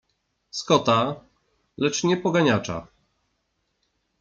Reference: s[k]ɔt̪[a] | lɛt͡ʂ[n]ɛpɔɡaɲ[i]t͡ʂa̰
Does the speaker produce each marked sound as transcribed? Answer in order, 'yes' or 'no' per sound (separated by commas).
yes, yes, no, no